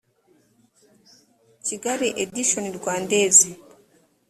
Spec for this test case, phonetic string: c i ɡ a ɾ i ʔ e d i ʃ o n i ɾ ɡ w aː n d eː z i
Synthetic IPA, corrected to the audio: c i ɡ a ɾ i ʔ e d i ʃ o n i ɾ ɡ w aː n d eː z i